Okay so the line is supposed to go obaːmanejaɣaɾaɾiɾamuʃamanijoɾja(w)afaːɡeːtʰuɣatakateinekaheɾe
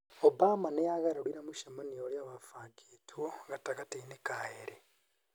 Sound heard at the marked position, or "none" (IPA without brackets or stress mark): β